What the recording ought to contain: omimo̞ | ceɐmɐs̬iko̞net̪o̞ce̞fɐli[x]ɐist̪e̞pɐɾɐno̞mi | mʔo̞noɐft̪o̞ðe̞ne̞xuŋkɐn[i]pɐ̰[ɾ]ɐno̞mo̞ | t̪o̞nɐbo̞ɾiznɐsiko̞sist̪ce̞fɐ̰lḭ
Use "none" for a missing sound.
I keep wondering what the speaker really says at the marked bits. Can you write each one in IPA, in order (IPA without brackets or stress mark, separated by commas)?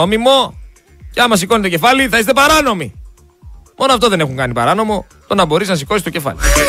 θ, i, ɾ